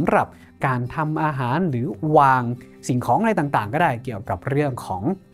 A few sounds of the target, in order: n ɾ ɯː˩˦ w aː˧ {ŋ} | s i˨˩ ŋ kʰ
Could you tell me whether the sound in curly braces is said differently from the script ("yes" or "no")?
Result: no